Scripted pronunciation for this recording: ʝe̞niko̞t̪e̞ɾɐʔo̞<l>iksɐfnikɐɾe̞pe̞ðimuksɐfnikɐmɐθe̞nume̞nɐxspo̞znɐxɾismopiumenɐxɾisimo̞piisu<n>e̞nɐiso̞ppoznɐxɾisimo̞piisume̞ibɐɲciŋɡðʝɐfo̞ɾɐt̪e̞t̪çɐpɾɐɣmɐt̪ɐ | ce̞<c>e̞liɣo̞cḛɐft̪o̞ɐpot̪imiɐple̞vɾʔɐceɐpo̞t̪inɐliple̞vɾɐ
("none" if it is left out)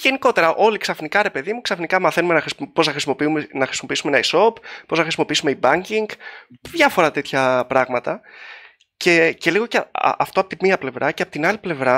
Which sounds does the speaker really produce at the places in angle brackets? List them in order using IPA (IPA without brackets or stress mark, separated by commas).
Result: l, m, c